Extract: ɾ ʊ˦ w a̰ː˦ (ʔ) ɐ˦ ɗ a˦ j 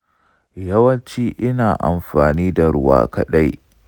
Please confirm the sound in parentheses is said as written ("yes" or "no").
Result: no